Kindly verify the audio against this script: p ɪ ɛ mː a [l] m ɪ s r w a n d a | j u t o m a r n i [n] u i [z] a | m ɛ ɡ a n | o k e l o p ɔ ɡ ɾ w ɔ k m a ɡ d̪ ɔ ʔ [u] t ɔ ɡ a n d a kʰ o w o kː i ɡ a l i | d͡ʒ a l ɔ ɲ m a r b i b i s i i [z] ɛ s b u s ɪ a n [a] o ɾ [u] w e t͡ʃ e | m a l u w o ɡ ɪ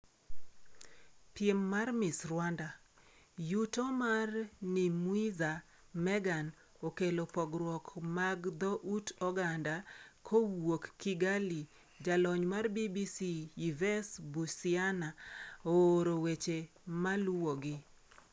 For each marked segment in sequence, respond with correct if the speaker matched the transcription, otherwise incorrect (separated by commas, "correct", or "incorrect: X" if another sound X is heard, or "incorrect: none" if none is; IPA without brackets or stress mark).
incorrect: r, incorrect: m, correct, correct, incorrect: v, correct, incorrect: o